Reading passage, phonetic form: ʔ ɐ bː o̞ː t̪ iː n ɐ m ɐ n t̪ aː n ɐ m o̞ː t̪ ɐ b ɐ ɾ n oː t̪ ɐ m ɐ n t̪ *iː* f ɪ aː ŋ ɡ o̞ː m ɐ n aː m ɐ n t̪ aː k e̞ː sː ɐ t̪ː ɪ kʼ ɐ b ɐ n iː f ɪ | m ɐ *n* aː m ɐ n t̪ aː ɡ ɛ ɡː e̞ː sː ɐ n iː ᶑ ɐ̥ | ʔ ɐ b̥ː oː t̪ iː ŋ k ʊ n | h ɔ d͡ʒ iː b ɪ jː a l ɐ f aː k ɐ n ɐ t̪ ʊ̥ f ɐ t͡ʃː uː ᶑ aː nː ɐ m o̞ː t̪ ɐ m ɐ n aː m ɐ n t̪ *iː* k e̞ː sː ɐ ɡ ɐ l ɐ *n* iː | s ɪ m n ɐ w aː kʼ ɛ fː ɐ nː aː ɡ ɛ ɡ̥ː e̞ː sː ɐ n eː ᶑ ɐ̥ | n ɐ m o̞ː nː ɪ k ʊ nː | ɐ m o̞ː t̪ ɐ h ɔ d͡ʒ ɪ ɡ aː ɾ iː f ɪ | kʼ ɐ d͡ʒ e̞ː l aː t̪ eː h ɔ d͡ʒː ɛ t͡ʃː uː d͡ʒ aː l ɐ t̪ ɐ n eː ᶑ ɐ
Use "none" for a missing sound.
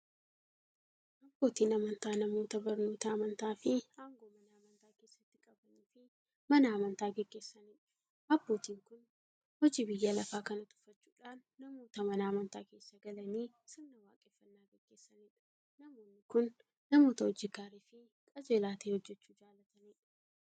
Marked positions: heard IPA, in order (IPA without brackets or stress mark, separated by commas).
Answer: aː, n, aː, n